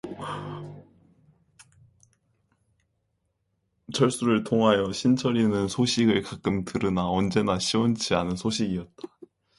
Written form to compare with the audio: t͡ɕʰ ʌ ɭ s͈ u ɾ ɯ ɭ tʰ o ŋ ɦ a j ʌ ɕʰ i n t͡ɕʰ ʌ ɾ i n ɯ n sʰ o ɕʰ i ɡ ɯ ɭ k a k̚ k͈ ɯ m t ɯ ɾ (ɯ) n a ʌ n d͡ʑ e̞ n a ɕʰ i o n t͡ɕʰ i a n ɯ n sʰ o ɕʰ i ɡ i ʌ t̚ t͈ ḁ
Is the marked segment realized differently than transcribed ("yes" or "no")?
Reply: no